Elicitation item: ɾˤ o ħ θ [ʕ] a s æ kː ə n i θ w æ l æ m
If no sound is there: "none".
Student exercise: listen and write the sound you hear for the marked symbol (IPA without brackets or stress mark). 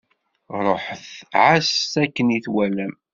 ʕ